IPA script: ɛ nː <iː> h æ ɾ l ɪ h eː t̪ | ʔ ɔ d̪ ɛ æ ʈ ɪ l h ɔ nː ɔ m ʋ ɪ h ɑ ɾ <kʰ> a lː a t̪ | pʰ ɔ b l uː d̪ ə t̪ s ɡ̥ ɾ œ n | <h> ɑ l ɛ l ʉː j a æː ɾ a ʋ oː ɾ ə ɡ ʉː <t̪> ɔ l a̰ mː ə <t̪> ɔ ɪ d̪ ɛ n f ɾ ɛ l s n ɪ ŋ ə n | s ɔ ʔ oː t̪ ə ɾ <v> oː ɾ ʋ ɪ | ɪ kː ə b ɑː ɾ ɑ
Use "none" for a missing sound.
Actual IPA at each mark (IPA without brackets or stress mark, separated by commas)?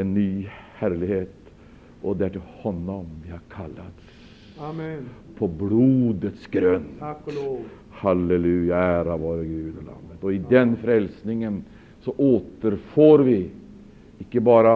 yː, kʰ, h, d̪, t̪, f